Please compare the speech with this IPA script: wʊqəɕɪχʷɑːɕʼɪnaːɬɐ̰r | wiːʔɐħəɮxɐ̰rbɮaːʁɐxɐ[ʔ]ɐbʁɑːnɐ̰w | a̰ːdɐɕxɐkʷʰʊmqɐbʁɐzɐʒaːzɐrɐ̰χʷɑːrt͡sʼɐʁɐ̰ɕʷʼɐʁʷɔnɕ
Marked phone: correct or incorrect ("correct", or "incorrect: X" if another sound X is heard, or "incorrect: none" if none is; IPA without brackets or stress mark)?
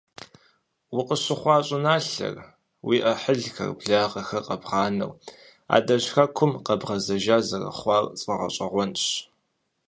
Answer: incorrect: q